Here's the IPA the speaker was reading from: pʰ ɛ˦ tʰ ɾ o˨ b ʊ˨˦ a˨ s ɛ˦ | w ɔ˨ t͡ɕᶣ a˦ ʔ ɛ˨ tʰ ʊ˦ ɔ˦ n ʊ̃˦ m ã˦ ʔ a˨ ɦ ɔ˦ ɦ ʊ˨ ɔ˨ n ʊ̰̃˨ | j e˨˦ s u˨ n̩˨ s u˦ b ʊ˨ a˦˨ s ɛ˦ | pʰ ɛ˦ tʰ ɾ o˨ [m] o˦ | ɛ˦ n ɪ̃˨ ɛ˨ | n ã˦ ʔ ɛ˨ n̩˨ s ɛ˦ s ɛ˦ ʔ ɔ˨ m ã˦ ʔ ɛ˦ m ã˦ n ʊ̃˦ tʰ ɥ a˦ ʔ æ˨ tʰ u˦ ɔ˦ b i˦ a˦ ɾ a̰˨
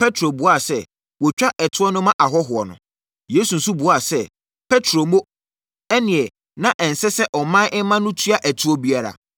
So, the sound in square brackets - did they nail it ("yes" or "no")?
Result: yes